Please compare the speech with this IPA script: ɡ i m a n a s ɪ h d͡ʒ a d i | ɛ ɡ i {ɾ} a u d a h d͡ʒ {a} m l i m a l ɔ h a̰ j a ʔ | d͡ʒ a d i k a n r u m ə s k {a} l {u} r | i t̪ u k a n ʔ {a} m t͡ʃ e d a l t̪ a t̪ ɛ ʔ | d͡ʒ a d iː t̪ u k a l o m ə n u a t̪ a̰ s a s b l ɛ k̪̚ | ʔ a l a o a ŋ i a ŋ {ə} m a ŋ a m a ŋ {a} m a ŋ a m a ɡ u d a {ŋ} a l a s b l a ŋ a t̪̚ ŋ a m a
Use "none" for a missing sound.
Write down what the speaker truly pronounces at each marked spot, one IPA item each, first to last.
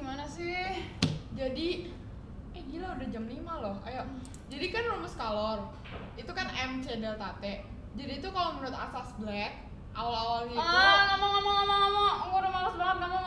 l, a, a, ɔ, ɛ, a, a, m

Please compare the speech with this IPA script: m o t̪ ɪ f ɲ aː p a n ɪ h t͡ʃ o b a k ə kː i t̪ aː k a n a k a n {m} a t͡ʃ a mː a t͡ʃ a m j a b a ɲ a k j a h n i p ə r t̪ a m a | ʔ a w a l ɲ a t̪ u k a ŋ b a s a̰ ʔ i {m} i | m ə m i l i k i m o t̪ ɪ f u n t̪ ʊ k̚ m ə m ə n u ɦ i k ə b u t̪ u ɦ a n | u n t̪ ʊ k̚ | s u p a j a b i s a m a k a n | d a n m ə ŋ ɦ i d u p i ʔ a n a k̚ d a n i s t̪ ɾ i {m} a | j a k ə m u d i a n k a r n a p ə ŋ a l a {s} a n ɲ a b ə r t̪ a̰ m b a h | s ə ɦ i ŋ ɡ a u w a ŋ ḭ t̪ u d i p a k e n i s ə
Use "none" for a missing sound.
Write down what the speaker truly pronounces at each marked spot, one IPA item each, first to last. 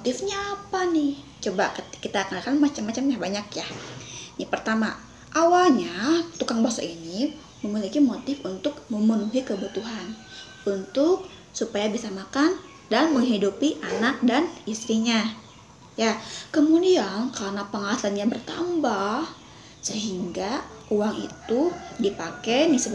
m, n, ɲ, s

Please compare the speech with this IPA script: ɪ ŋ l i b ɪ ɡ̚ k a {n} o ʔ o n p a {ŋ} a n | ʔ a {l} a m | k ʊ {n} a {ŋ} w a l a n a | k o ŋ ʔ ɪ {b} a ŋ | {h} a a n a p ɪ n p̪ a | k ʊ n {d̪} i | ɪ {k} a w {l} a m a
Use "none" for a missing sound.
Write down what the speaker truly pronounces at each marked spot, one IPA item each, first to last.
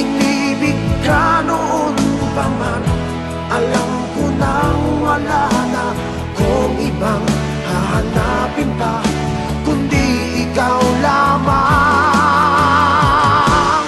n, m, l, n, ŋ, b, h, d̪, k, l

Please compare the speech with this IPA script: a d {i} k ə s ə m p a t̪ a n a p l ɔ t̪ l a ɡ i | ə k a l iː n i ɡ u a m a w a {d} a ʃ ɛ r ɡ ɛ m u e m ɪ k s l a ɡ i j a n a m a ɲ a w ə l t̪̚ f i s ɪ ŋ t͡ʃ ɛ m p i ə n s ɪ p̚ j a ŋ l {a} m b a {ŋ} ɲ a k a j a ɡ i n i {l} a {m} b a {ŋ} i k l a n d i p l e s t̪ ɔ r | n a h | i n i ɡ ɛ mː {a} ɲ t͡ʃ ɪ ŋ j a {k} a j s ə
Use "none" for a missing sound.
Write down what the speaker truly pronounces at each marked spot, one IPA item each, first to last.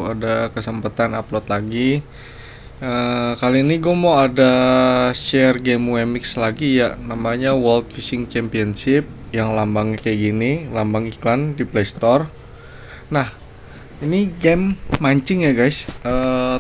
a, d, a, ŋ, l, m, ŋ, a, ɡ

